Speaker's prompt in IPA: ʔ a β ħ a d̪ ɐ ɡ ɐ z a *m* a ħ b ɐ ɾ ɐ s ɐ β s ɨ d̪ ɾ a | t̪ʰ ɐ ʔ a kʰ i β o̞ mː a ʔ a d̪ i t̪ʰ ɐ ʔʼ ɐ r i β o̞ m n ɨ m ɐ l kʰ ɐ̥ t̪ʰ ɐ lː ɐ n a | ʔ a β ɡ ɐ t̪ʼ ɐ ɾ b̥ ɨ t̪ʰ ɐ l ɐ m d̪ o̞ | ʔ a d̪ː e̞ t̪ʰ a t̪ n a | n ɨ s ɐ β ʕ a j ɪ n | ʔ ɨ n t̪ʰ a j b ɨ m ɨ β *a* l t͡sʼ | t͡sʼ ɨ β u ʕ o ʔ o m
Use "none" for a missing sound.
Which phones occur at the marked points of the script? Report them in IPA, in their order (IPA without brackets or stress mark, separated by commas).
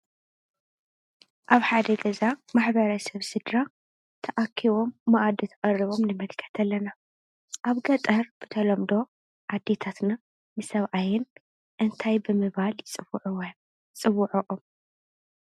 m, a